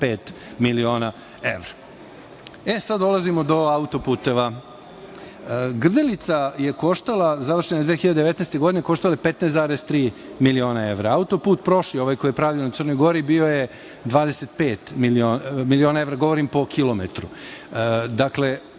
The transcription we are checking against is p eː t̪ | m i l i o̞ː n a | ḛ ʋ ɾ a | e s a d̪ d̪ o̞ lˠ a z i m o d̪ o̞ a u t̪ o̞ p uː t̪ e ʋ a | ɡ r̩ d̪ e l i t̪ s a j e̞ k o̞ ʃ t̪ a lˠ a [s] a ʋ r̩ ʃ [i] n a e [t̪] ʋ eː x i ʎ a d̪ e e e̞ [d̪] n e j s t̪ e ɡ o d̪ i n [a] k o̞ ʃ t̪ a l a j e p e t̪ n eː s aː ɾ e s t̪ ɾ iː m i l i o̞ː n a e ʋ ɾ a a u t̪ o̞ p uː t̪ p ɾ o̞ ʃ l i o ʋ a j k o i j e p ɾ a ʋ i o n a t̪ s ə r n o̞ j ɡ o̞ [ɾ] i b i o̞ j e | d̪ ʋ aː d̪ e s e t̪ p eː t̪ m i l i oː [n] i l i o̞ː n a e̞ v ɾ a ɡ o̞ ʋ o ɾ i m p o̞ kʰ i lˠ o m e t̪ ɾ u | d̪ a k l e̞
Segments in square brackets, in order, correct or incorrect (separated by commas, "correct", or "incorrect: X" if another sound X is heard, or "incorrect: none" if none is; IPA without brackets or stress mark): incorrect: z, incorrect: e, incorrect: d̪, incorrect: t̪, incorrect: e, correct, incorrect: m